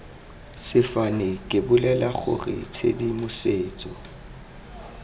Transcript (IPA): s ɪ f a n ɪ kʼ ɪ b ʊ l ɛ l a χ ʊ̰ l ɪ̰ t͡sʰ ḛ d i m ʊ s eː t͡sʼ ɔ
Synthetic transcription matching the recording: s ɪ f a n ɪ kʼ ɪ b ʊ l ɛ l a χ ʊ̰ r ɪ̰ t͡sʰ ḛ d i m ʊ s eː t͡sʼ ɔ